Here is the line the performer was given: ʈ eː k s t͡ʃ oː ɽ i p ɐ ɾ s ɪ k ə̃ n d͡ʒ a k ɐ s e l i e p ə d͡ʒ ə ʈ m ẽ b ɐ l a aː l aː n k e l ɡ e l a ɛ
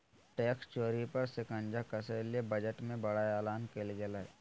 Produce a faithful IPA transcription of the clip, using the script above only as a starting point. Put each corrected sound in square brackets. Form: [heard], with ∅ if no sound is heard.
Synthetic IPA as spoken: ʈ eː k s t͡ʃ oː [ɾ] i p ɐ ɾ s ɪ k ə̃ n d͡ʒ a k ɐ s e l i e [b] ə d͡ʒ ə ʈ m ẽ b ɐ [ɽ] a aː l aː n k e l ɡ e l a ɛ